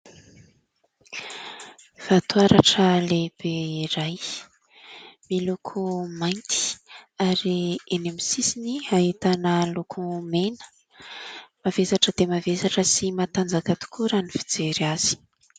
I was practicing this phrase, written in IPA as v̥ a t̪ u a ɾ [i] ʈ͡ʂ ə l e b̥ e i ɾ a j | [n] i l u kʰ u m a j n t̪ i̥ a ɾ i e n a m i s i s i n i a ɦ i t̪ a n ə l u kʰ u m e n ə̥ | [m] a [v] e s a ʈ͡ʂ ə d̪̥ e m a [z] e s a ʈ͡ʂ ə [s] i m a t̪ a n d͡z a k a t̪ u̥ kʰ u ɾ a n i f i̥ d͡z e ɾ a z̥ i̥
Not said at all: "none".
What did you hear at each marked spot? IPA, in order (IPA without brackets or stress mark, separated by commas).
a, m, m, v, v, s